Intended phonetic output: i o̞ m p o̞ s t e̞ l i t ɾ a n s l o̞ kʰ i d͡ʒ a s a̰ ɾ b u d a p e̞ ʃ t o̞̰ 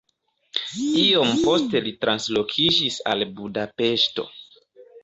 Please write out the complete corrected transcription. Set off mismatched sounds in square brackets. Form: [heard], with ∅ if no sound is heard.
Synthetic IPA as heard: i o̞ m p o̞ s t e̞ l i t ɾ a n s l o̞ kʰ i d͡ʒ [i] s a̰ [l] b u d a p e̞ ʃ t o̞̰